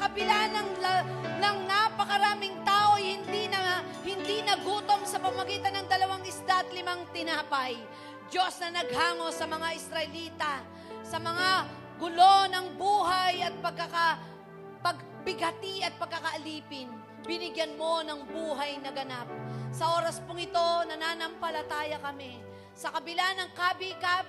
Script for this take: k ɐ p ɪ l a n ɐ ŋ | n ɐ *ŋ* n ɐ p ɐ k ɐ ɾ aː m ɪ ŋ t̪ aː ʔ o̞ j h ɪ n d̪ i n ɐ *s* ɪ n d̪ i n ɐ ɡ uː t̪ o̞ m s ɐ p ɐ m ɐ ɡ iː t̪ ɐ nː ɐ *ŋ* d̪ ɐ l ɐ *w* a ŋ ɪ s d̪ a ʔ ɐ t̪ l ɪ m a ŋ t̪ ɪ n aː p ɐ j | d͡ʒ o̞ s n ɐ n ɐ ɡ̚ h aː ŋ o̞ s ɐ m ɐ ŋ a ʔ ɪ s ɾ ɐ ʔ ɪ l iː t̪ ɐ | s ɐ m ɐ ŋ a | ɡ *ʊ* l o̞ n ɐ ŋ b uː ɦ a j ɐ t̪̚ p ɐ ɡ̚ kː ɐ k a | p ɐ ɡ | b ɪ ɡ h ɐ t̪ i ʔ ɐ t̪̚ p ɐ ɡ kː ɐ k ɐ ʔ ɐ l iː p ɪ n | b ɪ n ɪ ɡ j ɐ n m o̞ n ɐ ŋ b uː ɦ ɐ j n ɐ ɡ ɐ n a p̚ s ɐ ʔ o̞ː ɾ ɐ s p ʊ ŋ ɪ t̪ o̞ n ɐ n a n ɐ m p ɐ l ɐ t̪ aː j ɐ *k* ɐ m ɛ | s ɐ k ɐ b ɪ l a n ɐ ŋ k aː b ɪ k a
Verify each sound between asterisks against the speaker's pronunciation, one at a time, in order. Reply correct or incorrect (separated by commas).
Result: correct, incorrect, correct, correct, correct, correct